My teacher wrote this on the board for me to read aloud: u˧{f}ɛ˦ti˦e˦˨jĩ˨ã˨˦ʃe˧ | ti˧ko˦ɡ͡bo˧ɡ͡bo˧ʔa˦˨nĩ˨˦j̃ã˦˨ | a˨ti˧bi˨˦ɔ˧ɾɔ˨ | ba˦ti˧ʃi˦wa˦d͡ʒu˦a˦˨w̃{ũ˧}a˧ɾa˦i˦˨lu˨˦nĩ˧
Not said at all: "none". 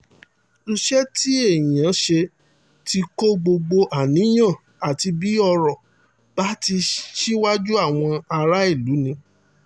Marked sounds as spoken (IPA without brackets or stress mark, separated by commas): ʃ, ɔ̃˧